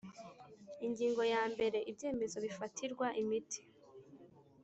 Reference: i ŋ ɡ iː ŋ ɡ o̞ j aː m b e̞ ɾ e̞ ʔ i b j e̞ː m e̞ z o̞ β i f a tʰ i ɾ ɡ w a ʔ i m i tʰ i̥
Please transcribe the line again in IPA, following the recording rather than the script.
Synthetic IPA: i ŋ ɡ iː ŋ ɡ o̞ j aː m b e̞ ɾ e̞ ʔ i b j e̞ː m e̞ z o̞ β i f a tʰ i ɾ ɡ w a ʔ i m i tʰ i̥